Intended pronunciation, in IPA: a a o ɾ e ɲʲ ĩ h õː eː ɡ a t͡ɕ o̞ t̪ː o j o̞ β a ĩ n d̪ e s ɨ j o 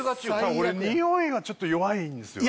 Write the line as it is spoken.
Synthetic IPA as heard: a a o ɾ e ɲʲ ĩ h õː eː ɡ a t͡ɕ o̞ t̪ː o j o̞ β a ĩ n d̪ e s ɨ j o